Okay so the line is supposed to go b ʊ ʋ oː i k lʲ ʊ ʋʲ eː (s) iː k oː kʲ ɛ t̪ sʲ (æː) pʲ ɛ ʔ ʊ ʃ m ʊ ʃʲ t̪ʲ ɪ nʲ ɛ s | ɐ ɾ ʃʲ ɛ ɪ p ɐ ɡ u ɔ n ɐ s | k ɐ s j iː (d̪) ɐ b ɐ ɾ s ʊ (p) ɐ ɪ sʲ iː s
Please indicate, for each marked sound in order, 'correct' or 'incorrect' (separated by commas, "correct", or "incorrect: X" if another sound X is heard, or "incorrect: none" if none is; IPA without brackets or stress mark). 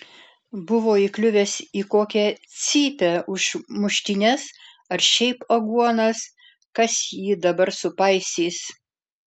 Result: correct, incorrect: iː, correct, correct